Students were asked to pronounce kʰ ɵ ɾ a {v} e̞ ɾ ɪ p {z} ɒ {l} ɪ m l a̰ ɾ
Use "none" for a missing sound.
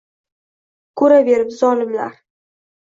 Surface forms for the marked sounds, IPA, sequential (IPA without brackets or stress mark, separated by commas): b, z, l